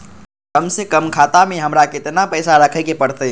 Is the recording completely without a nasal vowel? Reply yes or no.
yes